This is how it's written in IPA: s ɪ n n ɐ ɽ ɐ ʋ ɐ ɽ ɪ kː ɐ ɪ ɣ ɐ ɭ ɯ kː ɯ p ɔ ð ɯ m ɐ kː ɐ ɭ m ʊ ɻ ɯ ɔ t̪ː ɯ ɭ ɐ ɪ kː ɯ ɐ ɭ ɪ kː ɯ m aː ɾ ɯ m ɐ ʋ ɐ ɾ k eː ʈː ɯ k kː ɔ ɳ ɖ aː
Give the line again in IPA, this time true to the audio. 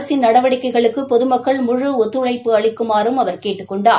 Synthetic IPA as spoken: s ɪ n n ɐ ɽ ɐ ʋ ɐ ɽ ɪ kː ɐ ɪ ɣ ɐ ɭ ɯ kː ɯ p ɔ ð ɯ m ɐ kː ɐ ɭ m ʊ ɻ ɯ ɔ t̪ː ɯ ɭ ɐ ɪ pː ɯ ɐ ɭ ɪ kː ɯ m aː ɾ ɯ m ɐ ʋ ɐ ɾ k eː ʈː ɯ k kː ɔ ɳ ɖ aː